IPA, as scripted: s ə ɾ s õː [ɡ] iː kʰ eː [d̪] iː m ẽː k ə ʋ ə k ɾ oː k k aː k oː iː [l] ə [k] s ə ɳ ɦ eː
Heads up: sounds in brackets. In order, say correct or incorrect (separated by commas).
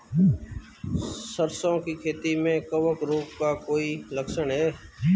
incorrect, incorrect, correct, correct